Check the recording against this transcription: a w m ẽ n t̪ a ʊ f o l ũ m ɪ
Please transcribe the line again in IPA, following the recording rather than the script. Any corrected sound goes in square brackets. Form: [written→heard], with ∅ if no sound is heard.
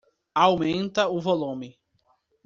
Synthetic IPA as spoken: a w m ẽ n t̪ [a→ɐ] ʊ [f→v] o l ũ m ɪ